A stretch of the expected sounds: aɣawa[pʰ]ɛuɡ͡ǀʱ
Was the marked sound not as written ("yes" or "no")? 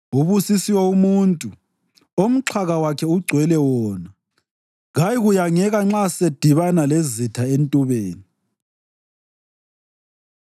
yes